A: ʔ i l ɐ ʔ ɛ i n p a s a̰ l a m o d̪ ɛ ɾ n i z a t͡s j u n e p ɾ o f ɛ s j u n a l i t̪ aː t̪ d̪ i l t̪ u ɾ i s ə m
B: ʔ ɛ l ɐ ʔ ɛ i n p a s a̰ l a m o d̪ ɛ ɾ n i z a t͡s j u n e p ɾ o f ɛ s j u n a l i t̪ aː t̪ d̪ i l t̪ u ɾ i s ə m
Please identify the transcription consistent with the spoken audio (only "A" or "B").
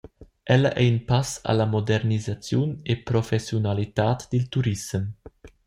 B